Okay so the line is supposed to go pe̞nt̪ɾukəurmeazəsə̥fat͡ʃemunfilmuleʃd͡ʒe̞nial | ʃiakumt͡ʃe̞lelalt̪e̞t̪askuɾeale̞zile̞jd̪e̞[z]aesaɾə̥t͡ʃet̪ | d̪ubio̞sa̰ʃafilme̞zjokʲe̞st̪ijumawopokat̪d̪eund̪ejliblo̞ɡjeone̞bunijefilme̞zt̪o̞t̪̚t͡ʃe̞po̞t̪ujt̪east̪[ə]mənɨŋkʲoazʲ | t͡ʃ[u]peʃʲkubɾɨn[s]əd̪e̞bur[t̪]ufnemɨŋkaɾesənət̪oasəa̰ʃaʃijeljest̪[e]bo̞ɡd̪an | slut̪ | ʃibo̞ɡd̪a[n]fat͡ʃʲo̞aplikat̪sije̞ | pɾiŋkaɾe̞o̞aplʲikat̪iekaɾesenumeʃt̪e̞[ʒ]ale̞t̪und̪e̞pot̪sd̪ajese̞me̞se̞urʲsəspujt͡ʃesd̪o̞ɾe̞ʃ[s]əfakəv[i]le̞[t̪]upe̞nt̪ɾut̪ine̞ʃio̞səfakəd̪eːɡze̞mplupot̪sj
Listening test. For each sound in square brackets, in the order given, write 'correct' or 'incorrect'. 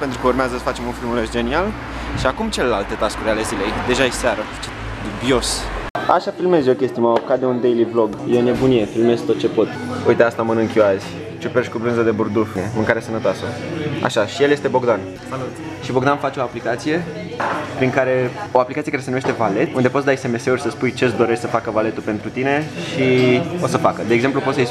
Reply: incorrect, incorrect, correct, incorrect, incorrect, correct, correct, incorrect, correct, incorrect, correct

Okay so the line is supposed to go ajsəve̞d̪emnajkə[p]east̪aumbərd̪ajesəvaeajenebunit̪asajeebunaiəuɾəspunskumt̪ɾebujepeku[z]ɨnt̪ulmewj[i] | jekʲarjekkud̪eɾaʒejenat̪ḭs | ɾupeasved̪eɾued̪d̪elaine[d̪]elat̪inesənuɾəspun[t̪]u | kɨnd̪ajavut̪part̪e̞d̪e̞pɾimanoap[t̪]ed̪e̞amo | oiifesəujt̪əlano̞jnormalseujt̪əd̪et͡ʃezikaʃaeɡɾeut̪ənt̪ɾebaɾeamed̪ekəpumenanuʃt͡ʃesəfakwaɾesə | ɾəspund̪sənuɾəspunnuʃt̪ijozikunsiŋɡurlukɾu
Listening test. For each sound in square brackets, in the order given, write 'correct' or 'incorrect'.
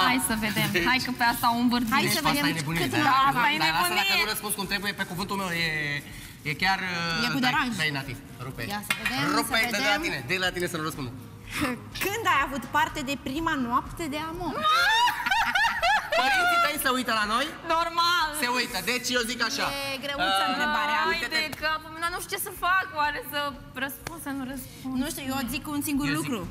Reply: correct, incorrect, incorrect, correct, incorrect, correct

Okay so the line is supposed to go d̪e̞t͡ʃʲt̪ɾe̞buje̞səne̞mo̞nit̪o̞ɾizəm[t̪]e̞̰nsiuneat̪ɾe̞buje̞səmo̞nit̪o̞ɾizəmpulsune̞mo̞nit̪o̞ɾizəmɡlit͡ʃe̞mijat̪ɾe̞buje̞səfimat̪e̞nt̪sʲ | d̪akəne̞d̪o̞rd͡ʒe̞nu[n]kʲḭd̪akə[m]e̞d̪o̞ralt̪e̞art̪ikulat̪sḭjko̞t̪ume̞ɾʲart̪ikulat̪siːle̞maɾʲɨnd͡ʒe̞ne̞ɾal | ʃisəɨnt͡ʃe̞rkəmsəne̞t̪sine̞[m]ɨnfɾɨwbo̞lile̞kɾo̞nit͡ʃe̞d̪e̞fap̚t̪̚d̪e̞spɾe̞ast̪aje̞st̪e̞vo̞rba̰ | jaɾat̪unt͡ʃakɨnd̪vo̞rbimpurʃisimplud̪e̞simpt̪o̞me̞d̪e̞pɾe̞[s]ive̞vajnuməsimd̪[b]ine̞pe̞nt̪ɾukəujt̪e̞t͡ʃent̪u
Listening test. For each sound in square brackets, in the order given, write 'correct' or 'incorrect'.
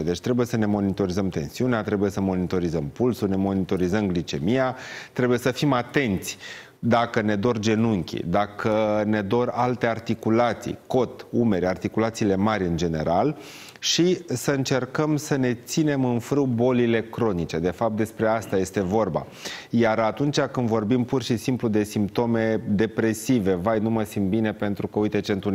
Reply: correct, incorrect, incorrect, correct, correct, correct

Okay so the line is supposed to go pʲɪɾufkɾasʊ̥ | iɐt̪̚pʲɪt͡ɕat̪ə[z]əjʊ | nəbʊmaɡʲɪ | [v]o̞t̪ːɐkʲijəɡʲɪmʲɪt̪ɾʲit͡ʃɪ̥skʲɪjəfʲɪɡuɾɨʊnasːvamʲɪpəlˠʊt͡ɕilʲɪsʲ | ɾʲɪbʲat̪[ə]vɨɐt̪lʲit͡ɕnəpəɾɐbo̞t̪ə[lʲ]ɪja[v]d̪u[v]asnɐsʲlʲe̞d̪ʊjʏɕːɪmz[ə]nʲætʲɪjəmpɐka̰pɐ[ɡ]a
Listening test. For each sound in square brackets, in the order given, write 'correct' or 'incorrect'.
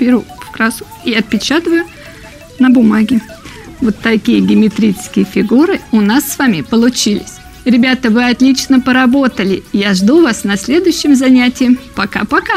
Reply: incorrect, correct, correct, correct, incorrect, correct, incorrect, incorrect

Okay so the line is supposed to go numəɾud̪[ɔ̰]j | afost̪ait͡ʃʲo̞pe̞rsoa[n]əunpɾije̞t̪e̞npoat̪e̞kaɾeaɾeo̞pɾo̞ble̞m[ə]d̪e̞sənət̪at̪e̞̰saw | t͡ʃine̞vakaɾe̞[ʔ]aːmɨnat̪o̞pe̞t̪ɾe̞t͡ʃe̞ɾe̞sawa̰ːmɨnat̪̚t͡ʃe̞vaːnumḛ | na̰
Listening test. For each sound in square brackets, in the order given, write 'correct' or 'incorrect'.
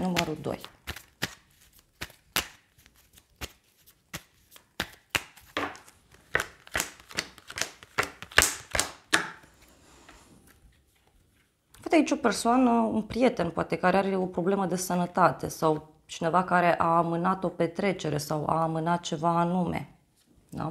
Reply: incorrect, correct, correct, correct

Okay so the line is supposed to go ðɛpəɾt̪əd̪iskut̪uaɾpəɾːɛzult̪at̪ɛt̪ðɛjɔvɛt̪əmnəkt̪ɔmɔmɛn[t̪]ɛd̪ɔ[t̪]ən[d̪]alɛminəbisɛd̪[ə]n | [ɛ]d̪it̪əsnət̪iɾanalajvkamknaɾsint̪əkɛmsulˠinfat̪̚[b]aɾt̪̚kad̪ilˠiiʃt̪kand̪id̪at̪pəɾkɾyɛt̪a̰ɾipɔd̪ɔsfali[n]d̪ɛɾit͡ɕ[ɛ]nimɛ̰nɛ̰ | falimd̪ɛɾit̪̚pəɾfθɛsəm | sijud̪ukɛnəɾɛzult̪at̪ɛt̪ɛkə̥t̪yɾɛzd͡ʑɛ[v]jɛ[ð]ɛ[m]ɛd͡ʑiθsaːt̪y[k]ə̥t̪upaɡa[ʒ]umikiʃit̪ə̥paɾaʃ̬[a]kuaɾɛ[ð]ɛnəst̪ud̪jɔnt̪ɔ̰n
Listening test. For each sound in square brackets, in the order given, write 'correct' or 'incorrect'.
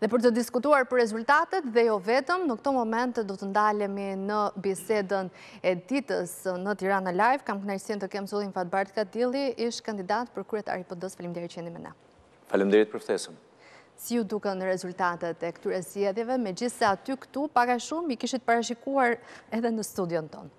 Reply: correct, correct, correct, correct, correct, correct, incorrect, correct, incorrect, incorrect, correct, correct, incorrect, incorrect, correct

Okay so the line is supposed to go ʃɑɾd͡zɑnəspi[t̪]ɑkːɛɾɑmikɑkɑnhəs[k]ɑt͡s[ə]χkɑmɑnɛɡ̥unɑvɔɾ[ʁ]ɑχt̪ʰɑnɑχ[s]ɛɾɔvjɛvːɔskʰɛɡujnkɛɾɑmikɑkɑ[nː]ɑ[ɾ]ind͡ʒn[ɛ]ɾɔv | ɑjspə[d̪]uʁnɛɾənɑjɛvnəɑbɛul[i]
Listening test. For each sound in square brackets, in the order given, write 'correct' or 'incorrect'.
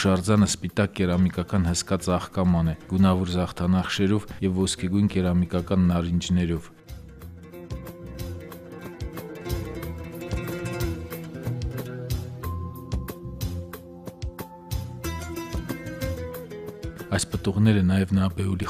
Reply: correct, correct, incorrect, incorrect, incorrect, correct, correct, correct, incorrect, correct

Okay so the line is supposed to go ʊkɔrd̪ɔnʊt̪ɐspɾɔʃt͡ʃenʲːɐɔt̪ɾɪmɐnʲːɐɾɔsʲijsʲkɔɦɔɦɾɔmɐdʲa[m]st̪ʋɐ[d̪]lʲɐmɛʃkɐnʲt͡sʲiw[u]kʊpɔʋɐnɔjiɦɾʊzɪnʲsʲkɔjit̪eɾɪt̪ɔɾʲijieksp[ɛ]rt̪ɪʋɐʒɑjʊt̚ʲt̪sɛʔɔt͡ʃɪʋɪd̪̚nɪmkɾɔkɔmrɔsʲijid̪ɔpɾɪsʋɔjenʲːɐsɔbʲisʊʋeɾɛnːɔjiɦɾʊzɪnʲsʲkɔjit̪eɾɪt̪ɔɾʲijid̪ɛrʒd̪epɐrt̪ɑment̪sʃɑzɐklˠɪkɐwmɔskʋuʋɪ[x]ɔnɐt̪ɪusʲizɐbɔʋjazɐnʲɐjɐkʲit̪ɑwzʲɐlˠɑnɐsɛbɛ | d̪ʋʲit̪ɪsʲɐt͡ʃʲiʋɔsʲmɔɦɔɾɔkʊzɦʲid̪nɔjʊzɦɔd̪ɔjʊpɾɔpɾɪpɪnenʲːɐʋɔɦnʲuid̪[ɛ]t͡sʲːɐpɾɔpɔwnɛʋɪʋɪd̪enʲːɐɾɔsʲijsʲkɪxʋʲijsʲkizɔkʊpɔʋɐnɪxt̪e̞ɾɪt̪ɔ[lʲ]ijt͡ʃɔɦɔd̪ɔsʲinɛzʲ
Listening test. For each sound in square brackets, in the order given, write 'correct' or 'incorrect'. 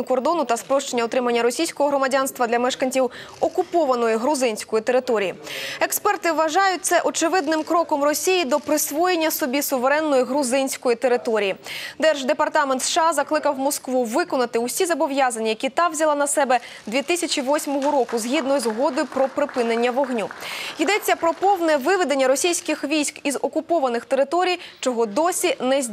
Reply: incorrect, correct, incorrect, correct, incorrect, correct, incorrect

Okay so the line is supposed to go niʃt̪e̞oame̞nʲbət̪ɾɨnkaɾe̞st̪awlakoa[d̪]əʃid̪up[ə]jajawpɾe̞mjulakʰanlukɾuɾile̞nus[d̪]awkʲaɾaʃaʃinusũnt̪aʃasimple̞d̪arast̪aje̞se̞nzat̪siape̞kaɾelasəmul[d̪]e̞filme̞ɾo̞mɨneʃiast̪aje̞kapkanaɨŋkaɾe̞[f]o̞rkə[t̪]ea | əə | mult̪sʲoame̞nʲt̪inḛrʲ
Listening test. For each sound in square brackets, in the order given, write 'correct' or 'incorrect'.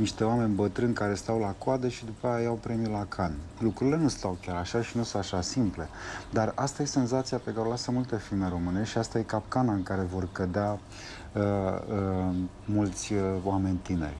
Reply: correct, incorrect, incorrect, incorrect, incorrect, incorrect

